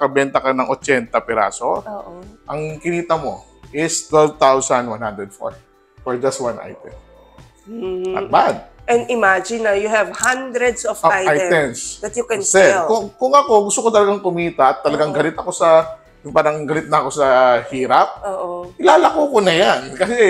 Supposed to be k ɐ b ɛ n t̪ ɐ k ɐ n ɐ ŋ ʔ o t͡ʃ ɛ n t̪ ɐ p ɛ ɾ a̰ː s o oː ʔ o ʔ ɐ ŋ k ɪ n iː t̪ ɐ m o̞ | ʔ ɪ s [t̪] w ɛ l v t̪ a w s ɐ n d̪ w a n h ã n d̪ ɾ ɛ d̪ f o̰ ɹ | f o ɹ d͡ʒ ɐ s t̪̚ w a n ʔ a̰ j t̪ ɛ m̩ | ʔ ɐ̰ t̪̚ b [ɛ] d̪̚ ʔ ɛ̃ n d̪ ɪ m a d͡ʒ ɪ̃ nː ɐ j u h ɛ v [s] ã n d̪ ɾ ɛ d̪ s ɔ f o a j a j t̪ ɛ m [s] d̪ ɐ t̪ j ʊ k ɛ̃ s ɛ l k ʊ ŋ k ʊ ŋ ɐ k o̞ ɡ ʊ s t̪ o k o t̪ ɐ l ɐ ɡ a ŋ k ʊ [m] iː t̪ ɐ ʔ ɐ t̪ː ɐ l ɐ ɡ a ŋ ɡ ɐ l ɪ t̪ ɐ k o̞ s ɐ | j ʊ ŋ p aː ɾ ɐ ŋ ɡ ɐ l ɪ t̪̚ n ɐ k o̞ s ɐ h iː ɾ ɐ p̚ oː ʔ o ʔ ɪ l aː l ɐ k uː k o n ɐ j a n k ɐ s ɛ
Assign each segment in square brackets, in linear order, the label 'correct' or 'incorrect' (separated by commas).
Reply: correct, incorrect, incorrect, correct, correct